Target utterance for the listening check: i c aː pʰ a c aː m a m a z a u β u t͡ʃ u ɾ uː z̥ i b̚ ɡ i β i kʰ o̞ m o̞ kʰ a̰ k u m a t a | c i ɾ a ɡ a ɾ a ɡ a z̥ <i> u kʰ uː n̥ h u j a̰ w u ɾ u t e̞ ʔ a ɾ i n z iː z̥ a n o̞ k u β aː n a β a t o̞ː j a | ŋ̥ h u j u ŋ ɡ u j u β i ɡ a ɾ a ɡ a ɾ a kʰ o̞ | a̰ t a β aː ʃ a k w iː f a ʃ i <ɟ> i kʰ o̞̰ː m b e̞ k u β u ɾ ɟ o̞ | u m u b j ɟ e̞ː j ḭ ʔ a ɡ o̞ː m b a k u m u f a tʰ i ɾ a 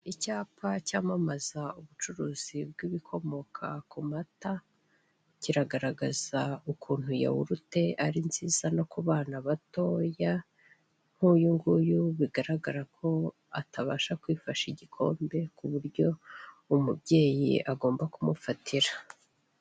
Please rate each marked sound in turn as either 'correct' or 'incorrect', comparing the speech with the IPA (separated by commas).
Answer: incorrect, correct